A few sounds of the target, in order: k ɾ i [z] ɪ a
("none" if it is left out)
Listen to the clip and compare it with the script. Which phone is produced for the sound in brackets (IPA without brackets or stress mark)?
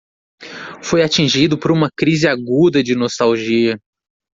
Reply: z